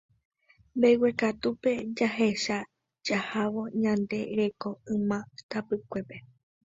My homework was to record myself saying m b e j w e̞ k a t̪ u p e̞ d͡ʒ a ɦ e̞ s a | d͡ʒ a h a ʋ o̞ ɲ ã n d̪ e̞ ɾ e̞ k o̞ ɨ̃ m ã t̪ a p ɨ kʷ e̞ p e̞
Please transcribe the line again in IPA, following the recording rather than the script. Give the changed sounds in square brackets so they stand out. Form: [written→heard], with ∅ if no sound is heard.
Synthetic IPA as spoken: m b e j w e̞ k a t̪ u p e̞ d͡ʒ a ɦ e̞ [s→ʃ] a | d͡ʒ a h a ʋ o̞ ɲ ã n d̪ e̞ ɾ e̞ k o̞ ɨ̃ m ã t̪ a p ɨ kʷ e̞ p e̞